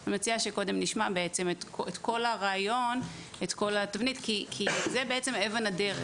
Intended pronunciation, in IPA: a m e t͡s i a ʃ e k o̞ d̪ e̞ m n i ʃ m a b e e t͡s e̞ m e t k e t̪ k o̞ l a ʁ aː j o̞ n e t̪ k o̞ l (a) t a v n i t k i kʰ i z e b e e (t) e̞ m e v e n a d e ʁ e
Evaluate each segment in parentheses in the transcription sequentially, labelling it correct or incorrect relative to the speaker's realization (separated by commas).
correct, incorrect